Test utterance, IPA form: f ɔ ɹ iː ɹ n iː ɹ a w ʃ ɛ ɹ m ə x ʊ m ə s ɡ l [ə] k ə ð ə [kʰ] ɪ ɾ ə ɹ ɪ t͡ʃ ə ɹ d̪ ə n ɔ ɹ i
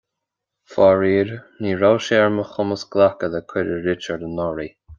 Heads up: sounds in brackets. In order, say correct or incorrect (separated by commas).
incorrect, correct